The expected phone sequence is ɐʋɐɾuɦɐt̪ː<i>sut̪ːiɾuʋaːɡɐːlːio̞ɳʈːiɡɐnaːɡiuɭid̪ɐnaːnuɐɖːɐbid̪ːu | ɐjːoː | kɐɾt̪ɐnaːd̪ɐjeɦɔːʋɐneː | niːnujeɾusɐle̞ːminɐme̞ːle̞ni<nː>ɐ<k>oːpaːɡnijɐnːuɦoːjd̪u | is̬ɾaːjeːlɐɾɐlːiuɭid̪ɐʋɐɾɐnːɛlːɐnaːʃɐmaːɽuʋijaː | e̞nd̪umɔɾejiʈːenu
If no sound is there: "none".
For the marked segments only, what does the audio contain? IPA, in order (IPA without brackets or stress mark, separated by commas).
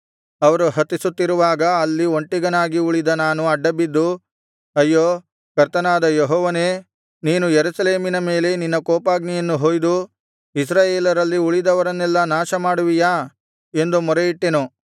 i, nː, k